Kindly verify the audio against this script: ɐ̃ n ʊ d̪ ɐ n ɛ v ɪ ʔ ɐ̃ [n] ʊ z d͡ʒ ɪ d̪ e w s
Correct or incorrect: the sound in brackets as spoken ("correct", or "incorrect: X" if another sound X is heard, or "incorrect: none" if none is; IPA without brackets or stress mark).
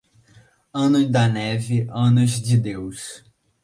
correct